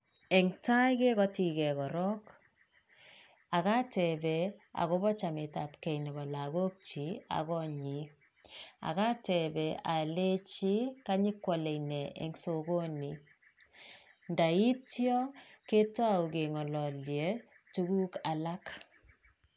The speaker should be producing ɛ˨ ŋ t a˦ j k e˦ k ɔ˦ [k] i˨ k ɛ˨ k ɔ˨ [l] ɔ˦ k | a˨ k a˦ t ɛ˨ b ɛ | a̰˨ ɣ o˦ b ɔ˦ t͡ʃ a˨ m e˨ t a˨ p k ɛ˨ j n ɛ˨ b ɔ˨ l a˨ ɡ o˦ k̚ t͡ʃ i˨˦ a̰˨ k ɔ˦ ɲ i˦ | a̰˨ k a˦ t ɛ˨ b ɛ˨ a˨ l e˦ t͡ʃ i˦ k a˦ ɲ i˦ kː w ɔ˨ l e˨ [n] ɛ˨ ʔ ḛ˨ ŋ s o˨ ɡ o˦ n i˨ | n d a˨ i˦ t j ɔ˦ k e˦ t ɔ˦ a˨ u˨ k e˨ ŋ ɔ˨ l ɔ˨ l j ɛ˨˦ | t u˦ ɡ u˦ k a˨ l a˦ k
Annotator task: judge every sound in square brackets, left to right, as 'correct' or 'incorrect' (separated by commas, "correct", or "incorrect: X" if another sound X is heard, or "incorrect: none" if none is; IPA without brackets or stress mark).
incorrect: t, incorrect: ɾ, correct